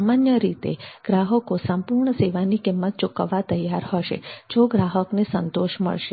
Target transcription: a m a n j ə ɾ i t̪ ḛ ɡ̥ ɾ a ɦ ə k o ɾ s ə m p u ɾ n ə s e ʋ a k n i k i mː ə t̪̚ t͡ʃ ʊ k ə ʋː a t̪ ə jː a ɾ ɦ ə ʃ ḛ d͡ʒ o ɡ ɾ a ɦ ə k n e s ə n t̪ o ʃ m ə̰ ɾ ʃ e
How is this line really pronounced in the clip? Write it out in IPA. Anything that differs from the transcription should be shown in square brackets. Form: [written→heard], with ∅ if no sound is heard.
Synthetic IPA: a m a n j ə ɾ i t̪ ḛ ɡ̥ ɾ a ɦ ə k o [ɾ→∅] s ə m p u ɾ [n→ɳ] ə s e ʋ a [k→∅] n i k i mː ə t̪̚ t͡ʃ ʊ k ə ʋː a t̪ ə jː a ɾ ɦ ə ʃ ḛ d͡ʒ o ɡ ɾ a ɦ ə k n e s ə n t̪ o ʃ m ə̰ [ɾ→ɭ] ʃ e